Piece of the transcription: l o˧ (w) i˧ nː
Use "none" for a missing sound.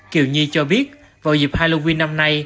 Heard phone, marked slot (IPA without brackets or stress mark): w